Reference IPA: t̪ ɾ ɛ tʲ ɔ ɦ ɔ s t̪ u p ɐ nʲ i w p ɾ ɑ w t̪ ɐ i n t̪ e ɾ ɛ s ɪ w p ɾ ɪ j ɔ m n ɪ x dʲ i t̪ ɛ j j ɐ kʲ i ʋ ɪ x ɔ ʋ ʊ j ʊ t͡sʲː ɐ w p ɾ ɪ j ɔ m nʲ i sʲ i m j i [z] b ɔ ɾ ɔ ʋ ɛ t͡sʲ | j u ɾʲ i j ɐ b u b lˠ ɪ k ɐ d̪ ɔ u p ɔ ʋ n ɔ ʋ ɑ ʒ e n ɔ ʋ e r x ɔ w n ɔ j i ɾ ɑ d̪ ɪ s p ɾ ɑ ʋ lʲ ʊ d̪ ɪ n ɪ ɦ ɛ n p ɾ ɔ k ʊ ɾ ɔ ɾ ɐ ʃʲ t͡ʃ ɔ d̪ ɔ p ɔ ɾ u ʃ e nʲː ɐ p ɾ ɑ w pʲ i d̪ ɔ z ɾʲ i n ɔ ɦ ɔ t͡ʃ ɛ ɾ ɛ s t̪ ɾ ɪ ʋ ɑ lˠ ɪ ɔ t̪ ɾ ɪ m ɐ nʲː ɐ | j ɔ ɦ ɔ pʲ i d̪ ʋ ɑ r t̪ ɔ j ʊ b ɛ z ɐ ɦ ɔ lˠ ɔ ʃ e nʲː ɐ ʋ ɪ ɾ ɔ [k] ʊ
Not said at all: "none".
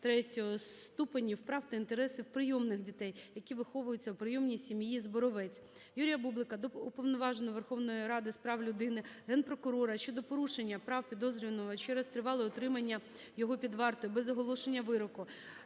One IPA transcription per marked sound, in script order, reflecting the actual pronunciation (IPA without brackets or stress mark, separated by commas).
z, k